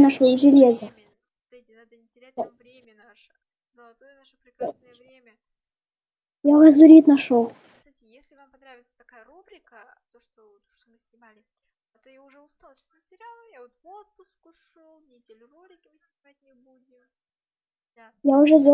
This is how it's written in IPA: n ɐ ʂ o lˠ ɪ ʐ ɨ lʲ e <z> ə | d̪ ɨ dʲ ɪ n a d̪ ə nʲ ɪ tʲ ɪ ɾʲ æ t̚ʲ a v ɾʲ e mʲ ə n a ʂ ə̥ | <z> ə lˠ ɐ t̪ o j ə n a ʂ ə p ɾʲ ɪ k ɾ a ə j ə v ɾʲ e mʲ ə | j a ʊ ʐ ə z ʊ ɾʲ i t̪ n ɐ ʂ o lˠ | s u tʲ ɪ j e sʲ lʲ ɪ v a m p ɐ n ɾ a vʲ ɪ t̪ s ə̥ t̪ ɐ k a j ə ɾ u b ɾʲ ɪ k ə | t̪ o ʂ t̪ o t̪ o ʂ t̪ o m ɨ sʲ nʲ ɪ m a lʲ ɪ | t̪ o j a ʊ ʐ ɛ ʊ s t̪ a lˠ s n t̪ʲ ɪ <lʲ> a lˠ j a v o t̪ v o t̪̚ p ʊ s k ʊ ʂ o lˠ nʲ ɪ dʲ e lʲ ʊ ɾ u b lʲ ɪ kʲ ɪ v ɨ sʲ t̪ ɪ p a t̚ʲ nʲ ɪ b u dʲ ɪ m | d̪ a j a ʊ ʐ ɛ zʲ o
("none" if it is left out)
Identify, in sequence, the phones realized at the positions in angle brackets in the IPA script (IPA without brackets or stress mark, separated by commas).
z, z, ɾʲ